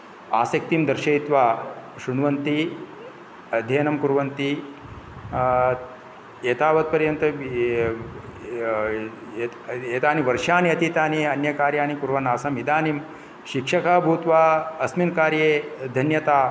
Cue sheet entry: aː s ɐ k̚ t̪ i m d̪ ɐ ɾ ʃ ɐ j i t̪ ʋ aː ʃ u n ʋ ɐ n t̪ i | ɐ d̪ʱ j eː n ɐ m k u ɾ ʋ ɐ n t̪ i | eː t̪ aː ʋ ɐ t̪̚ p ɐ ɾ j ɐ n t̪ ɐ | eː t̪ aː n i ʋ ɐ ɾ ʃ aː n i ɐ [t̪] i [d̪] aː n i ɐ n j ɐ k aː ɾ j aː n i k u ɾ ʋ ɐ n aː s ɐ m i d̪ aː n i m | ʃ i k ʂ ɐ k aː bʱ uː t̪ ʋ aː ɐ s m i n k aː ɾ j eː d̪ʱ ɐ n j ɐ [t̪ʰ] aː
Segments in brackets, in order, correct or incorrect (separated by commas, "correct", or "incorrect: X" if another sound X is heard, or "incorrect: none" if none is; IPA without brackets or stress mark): correct, incorrect: t̪, incorrect: t̪